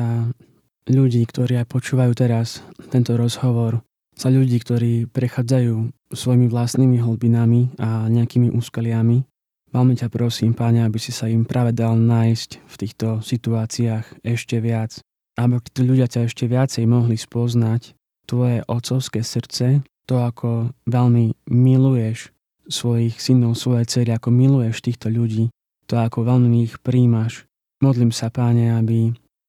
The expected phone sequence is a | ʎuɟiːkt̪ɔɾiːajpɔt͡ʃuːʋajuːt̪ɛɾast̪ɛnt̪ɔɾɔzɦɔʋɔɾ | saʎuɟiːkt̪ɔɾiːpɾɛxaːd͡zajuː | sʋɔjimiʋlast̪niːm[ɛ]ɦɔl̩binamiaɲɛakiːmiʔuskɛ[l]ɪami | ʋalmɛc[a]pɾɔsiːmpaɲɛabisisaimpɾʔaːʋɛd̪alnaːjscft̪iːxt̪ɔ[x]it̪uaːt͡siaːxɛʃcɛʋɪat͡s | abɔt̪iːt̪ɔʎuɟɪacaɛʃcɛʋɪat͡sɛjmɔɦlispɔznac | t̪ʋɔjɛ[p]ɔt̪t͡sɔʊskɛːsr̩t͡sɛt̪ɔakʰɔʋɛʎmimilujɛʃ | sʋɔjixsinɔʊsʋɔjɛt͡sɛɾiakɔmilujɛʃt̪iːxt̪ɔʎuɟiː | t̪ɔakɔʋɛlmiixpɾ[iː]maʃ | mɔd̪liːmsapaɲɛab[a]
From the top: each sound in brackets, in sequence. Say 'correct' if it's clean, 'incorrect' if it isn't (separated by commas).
incorrect, correct, correct, incorrect, incorrect, correct, incorrect